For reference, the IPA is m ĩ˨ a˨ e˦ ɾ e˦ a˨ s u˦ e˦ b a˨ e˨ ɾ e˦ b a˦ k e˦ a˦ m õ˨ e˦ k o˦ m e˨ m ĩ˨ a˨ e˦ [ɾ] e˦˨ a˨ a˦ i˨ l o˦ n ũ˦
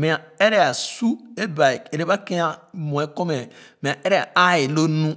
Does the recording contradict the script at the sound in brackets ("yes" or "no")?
no